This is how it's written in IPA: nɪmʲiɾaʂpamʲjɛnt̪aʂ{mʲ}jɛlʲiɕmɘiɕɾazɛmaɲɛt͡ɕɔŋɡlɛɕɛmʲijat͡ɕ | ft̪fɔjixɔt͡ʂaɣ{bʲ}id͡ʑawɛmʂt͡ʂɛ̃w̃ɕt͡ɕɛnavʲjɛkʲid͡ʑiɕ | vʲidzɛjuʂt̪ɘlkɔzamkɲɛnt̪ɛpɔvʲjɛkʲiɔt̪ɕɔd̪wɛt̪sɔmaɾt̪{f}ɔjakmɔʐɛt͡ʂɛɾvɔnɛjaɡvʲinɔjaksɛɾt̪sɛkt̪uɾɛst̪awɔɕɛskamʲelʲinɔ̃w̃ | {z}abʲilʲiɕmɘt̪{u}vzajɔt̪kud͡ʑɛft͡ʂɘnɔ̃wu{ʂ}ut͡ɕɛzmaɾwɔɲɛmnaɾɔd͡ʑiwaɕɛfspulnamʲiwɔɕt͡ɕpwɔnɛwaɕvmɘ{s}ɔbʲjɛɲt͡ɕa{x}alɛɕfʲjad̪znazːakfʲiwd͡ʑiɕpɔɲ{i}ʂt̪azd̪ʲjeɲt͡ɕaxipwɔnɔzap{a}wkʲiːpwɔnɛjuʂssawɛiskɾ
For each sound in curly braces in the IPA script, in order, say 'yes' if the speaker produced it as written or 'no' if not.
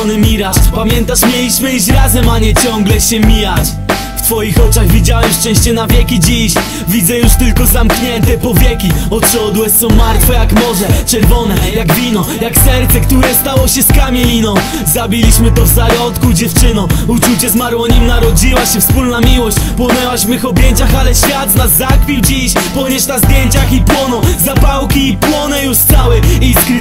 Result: yes, no, yes, yes, no, no, no, yes, no, yes

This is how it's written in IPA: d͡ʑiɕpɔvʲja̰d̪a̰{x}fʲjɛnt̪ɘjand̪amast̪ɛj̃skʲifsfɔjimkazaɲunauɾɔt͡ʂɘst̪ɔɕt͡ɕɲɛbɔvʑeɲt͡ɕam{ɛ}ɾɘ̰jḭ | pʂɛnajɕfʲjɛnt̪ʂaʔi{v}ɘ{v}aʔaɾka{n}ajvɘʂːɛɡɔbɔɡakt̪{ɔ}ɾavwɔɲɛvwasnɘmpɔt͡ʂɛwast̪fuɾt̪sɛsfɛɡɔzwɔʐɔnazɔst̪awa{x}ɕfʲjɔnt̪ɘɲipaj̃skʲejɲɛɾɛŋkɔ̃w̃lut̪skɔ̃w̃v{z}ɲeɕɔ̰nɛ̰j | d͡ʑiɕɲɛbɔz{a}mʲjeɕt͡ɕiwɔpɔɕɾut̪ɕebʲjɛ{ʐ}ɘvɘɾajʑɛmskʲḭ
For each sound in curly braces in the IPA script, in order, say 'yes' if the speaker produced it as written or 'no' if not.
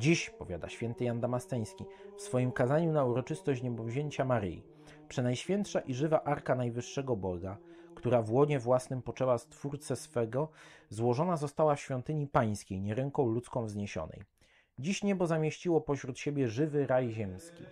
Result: no, no, no, yes, yes, no, no, yes, yes, yes

